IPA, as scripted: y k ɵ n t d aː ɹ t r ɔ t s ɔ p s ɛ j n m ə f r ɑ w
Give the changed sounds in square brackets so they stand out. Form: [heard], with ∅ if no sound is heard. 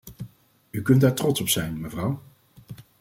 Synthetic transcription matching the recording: y k ɵ n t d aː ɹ t r ɔ t s ɔ p s ɛ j n m ə [v] r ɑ w